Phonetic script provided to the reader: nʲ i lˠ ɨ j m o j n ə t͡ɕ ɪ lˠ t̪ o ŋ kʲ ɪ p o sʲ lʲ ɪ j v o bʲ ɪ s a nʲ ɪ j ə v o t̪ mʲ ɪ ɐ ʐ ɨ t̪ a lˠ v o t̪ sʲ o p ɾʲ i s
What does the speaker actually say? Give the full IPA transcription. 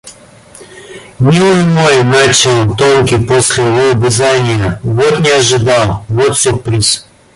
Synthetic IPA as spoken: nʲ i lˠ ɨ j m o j n a t͡ɕ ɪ lˠ t̪ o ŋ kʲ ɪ p o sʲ lʲ ɪ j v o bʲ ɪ z a nʲ ɪ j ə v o t̪ nʲ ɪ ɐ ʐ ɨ d̪ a lˠ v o t̪ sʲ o p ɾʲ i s